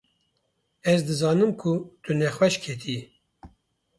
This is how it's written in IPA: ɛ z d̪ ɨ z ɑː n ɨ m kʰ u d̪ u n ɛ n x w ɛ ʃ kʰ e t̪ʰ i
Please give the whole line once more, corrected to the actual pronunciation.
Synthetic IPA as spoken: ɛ z d̪ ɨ z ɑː n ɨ m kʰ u t̪ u n ɛ x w ɛ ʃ kʰ e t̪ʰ i